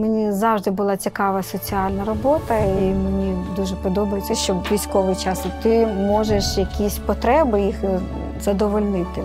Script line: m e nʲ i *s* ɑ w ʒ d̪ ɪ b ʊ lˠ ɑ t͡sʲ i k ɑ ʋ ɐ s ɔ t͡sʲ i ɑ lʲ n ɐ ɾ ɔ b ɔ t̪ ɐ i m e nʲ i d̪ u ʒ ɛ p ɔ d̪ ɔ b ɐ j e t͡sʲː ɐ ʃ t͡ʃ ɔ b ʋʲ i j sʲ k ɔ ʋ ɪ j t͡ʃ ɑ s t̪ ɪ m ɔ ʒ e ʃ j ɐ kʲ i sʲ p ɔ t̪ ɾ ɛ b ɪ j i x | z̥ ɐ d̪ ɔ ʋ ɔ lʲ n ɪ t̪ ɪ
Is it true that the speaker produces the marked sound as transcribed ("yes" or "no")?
no